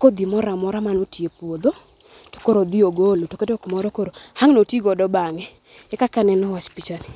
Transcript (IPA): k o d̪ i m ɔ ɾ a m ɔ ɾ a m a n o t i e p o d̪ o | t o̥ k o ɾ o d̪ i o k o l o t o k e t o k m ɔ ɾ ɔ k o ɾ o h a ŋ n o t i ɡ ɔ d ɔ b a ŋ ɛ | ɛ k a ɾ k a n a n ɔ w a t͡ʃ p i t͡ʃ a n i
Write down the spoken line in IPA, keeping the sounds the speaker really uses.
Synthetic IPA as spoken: k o d̪ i m ɔ ɾ a m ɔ ɾ a m a n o t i e p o d̪ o | t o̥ k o ɾ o d̪ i o ɡ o l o t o k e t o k m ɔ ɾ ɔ k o ɾ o h a ŋ n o t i ɡ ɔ d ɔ b a ŋ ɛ | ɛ k a k a n ɛ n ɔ w a t͡ʃ p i t͡ʃ a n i